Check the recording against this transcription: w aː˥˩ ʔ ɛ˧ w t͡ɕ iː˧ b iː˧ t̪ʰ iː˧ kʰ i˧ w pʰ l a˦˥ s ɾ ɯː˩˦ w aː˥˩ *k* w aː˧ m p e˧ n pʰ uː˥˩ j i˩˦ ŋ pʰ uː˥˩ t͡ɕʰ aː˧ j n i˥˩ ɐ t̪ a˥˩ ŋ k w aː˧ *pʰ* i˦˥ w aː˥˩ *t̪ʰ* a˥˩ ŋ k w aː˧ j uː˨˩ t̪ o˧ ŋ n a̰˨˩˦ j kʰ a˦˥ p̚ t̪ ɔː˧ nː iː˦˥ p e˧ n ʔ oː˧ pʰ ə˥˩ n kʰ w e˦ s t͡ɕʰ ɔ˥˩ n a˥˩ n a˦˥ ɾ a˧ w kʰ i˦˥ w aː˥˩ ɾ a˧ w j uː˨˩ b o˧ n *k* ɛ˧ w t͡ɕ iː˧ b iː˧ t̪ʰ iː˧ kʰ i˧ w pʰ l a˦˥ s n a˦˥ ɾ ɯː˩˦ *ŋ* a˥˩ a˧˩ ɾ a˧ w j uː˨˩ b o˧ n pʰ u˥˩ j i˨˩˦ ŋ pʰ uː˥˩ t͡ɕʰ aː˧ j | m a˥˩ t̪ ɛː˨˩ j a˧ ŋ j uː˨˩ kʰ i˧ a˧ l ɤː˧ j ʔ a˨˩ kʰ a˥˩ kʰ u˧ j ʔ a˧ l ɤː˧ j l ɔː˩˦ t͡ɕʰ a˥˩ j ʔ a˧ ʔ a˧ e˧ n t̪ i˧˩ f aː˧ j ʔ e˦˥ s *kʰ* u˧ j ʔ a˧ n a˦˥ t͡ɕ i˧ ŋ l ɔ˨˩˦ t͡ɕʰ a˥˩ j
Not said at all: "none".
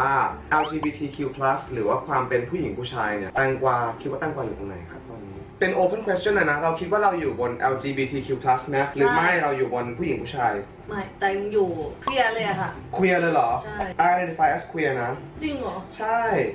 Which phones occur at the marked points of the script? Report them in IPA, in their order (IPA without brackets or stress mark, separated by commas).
kʰ, kʰ, t̪, ʔ, m, kʰ